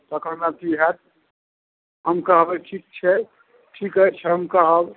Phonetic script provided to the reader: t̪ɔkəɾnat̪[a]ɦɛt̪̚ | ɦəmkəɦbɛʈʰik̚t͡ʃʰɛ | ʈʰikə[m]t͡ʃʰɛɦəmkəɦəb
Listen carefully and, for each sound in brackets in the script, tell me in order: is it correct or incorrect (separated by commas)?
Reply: incorrect, incorrect